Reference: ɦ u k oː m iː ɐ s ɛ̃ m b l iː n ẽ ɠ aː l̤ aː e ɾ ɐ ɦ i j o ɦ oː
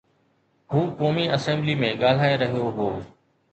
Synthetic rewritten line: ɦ uː k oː m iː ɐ s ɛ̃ m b l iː m ẽ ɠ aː l̤ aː e ɾ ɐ ɦ i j o ɦ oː